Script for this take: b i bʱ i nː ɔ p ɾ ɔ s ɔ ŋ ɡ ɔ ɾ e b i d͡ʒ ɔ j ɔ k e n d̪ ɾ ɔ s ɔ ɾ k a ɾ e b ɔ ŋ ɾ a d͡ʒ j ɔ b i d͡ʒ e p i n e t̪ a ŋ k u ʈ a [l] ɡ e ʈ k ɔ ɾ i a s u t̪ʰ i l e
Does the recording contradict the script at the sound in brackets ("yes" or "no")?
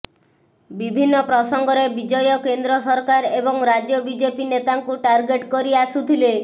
yes